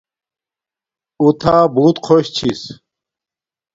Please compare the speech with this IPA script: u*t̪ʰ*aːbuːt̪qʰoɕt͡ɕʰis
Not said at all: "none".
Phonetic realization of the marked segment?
t̪ʰ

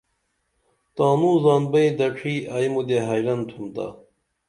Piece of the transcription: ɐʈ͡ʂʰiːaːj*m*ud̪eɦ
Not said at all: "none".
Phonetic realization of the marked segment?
m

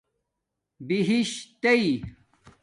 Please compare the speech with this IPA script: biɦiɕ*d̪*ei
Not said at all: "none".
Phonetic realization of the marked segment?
t̪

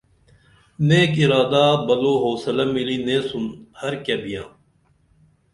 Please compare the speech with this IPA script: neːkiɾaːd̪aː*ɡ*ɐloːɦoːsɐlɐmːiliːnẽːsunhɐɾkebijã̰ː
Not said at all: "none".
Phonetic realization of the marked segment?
b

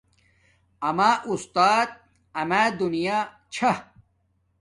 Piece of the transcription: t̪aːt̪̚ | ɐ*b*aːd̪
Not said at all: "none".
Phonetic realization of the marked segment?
m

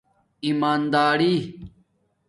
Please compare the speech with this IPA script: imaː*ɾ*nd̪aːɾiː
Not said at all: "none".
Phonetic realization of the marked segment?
none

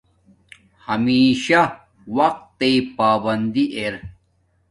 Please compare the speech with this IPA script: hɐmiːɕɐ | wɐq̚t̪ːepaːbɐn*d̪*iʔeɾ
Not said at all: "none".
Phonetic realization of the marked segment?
d̪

